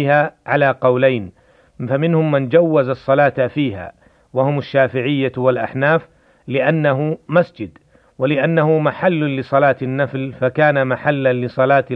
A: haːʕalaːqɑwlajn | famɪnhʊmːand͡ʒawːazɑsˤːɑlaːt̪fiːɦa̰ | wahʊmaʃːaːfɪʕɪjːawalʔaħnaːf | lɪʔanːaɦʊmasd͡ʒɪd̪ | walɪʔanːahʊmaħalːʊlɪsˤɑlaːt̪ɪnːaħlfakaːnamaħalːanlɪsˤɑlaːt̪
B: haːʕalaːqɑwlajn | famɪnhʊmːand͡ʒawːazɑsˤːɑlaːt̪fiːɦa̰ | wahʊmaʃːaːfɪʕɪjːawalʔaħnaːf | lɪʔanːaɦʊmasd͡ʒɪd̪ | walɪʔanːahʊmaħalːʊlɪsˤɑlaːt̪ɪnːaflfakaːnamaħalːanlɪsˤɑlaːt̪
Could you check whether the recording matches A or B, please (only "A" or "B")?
B